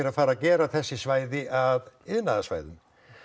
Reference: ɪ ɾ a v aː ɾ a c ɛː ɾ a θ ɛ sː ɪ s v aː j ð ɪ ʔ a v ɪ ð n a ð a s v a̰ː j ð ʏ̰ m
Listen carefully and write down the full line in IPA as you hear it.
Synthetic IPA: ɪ ɾ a f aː ɾ a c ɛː ɾ a θ ɛ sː ɪ s v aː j ð ɪ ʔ a ð ɪ ð n a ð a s v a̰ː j ð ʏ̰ m